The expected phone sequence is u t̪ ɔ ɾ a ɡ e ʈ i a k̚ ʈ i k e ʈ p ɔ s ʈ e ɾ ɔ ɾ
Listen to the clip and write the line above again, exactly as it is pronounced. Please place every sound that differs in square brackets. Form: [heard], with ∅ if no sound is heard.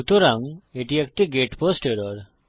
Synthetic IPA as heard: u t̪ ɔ ɾ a [ŋ] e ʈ i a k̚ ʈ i [ɡ] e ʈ p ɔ s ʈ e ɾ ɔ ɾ